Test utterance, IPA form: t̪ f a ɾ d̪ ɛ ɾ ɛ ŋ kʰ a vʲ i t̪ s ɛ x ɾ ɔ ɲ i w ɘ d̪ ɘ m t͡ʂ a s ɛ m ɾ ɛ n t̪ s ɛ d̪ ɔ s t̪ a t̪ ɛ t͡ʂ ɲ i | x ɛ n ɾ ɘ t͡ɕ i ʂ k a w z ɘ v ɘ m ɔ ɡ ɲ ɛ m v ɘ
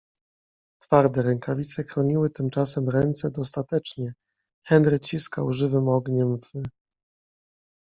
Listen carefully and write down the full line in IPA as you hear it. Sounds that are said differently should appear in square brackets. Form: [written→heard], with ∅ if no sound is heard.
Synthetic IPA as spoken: t̪ f a ɾ d̪ ɛ ɾ ɛ ŋ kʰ a vʲ i t̪ s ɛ x ɾ ɔ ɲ i w ɘ [d̪→t̪] ɘ m t͡ʂ a s ɛ m ɾ ɛ n t̪ s ɛ d̪ ɔ s t̪ a t̪ ɛ t͡ʂ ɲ [i→ɛ] | x ɛ n ɾ ɘ t͡ɕ i [ʂ→s] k a w [z→ʐ] ɘ v ɘ m ɔ ɡ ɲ ɛ m v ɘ